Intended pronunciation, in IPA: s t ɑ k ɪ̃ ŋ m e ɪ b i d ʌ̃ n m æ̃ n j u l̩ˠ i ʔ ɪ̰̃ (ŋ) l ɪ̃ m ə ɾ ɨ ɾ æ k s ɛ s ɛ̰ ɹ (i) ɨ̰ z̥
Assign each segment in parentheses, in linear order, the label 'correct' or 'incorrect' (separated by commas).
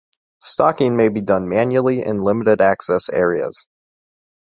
incorrect, correct